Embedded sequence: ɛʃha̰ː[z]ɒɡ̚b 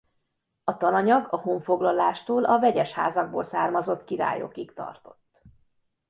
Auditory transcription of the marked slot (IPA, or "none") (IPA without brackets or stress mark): z